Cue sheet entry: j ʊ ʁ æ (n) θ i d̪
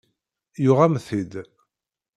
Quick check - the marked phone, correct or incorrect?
incorrect